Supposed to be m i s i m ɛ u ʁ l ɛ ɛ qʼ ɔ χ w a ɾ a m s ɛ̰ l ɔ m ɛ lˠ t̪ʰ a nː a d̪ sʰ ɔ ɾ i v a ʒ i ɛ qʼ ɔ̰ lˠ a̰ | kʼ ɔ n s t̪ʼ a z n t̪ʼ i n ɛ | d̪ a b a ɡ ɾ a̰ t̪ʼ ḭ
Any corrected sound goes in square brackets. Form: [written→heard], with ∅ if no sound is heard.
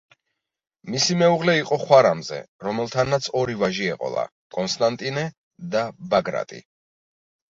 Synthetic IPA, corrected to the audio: m i s i m ɛ u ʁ l ɛ [ɛ→i] qʼ ɔ χ w a ɾ a m [s→z] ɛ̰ [l→ɾ] ɔ m ɛ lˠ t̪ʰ a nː a [d̪→t̪] sʰ ɔ ɾ i v a ʒ i ɛ qʼ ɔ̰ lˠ a̰ | kʼ ɔ n s t̪ʼ a [z→∅] n t̪ʼ i n ɛ | d̪ a b a ɡ ɾ a̰ t̪ʼ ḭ